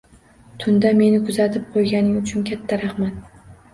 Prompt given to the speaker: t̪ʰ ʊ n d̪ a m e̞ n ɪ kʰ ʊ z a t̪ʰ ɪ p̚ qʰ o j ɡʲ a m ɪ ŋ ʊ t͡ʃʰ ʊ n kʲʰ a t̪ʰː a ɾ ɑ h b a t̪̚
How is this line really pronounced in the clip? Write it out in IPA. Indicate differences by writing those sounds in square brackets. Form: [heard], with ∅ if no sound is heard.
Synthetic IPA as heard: t̪ʰ ʊ n d̪ a m e̞ n ɪ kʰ ʊ z a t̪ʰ ɪ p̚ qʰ o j ɡʲ a [n] ɪ ŋ ʊ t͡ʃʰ ʊ n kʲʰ a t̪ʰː a ɾ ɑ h [m] a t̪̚

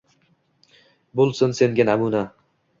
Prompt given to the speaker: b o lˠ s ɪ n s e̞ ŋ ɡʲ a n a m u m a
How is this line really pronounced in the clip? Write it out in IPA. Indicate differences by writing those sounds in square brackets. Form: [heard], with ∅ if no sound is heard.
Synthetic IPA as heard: b o lˠ s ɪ n s e̞ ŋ ɡʲ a n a m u [n] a

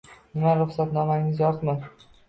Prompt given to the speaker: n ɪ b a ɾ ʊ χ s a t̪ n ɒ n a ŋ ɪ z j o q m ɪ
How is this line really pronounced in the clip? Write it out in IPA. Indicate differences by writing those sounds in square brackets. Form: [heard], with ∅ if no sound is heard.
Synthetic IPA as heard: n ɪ [m] a ɾ ʊ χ s a t̪ n ɒ [m] a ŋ ɪ z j [ɒ] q m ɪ

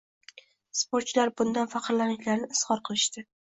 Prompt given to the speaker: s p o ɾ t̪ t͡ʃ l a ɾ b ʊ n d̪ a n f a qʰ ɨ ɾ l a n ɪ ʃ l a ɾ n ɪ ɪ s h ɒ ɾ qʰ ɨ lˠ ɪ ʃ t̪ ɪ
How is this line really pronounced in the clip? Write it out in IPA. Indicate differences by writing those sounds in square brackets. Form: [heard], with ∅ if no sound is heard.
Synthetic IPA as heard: s p o ɾ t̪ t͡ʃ l a ɾ b ʊ n d̪ a n f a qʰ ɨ ɾ l a n ɪ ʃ l a ɾ n ɪ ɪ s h ɒ ɾ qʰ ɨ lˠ ɪ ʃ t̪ ɪ

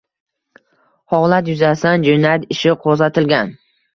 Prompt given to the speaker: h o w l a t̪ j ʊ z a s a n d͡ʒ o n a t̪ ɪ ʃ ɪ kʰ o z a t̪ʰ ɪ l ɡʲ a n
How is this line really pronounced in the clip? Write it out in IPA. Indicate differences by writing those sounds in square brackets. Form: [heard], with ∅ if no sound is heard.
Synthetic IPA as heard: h [ɒ] w l a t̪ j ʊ z a s a n d͡ʒ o n a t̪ ɪ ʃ ɪ [qʰ] o z a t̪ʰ ɪ l ɡʲ a n

